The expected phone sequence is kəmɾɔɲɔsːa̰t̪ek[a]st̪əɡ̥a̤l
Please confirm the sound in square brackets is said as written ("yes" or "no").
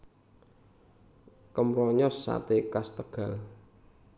yes